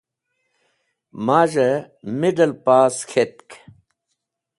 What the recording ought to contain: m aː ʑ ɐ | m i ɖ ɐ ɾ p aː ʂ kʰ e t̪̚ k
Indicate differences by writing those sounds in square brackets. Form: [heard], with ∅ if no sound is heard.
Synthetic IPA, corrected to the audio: m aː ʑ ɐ | m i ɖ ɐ [l] p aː [s] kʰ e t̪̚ k